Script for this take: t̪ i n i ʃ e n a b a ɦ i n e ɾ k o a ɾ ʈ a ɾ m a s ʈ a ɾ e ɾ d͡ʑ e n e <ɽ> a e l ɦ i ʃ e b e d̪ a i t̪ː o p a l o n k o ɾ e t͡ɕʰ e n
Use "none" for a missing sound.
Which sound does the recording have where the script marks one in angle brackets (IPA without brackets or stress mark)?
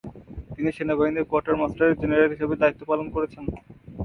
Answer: ɾ